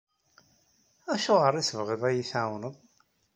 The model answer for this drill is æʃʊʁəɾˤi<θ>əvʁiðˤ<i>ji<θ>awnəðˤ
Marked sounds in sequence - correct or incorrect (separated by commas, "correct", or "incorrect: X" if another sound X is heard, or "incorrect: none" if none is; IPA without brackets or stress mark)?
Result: incorrect: s, incorrect: æ, correct